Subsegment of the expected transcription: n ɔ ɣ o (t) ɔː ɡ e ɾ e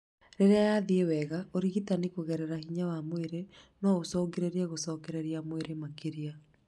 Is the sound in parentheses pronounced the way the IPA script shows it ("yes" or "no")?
no